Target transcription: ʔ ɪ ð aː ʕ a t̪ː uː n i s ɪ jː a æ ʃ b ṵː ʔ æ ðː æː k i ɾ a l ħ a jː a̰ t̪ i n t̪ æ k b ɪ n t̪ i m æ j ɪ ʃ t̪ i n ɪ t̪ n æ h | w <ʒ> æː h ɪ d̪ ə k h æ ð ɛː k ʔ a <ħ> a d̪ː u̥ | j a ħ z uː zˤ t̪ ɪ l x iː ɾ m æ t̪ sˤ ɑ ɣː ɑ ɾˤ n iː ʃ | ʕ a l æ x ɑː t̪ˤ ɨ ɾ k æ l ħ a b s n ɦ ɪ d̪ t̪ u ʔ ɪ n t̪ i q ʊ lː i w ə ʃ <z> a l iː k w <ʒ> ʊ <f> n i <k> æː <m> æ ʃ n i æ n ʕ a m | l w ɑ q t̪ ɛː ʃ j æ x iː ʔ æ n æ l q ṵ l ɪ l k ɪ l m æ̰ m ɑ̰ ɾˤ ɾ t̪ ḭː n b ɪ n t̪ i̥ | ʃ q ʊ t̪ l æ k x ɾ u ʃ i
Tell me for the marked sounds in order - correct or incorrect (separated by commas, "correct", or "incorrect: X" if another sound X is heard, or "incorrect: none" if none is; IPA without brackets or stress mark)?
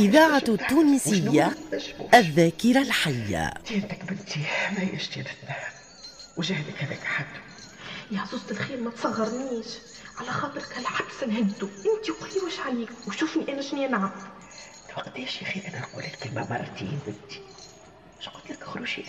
correct, correct, incorrect: ʕ, incorrect: ʃ, correct, incorrect: ʔ, incorrect: n